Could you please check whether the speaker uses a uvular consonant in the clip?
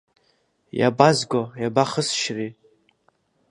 yes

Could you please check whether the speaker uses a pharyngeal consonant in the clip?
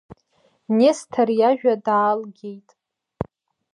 no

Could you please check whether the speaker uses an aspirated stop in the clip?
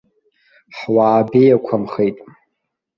yes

